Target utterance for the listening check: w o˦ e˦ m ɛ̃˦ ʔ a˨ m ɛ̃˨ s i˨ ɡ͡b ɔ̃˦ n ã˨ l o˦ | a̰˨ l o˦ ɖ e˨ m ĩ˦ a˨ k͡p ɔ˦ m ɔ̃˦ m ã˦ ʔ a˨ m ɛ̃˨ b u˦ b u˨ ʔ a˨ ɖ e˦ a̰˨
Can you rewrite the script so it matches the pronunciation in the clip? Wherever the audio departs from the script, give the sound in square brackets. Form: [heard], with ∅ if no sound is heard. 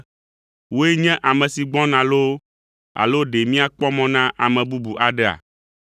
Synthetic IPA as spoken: w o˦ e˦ [ɲ] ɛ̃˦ ʔ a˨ m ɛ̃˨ s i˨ ɡ͡b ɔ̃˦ n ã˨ l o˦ | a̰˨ l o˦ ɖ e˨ m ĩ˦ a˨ k͡p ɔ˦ m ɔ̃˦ [n] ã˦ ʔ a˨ m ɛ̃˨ b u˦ b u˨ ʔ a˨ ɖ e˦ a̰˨